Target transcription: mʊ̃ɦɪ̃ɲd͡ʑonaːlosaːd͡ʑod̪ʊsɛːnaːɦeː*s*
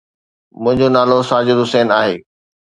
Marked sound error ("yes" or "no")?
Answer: yes